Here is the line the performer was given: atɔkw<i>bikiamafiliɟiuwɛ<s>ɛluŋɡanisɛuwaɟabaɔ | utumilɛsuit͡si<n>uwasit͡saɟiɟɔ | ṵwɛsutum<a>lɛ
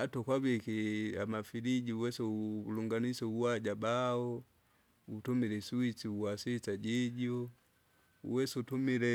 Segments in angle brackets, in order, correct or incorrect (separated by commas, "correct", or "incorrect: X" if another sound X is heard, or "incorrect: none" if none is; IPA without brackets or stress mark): incorrect: a, correct, incorrect: none, incorrect: i